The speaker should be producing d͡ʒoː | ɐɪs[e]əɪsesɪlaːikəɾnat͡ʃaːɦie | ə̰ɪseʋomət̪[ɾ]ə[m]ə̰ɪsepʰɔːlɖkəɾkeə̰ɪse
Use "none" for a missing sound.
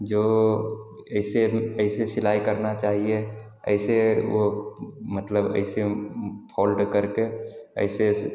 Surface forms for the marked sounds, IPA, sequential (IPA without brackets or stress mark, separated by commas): e, l, b